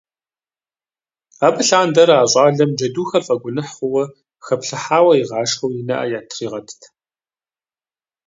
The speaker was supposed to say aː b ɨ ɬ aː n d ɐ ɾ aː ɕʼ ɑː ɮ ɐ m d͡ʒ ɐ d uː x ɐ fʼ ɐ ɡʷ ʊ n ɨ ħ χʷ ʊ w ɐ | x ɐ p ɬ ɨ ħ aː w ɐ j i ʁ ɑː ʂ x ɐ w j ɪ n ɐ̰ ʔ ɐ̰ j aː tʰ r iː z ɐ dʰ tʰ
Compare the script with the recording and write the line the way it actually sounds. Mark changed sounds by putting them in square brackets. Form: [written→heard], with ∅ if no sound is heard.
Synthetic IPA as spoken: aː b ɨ ɬ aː n d ɐ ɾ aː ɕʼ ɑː ɮ ɐ m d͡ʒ ɐ d uː x ɐ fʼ ɐ ɡʷ ʊ n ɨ ħ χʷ ʊ w ɐ | x ɐ p ɬ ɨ ħ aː w ɐ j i ʁ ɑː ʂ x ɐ w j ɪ n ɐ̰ ʔ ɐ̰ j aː tʰ r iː [z→ʁ] ɐ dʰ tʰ

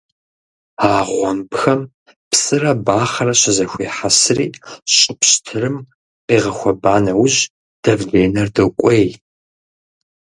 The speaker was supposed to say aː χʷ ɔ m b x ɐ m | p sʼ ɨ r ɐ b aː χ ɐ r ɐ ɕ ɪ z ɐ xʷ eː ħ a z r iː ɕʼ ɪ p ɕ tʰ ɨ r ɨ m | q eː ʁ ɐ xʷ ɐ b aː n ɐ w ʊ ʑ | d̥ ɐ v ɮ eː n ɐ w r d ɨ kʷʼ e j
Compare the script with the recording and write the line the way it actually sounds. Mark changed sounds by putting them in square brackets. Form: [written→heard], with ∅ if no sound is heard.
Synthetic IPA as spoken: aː [χʷ→ʁʷ] ɔ m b x ɐ m | p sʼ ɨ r ɐ b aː χ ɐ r ɐ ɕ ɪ z ɐ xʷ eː ħ a [z→s] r iː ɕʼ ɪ p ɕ tʰ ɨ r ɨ m | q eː ʁ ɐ xʷ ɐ b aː n ɐ w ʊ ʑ | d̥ ɐ v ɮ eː n ɐ [w→∅] r d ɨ kʷʼ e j

